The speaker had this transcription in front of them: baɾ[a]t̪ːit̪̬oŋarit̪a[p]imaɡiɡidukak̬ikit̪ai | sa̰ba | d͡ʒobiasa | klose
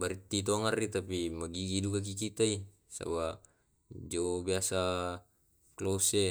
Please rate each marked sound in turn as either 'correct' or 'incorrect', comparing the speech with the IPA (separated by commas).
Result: incorrect, correct